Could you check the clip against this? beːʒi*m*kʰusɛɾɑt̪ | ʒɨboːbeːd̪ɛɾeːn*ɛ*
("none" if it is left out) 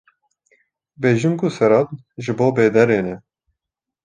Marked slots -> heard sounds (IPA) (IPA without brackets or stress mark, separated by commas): m, ɛ